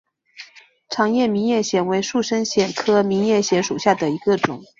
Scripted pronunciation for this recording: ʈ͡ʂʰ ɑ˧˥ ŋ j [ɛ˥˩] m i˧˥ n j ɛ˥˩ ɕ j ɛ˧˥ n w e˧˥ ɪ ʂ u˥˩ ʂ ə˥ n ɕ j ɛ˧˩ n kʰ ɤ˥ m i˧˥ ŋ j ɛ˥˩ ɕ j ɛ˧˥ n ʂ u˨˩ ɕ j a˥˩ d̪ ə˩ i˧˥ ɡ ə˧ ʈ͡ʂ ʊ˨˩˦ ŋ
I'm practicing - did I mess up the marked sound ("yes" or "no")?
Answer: no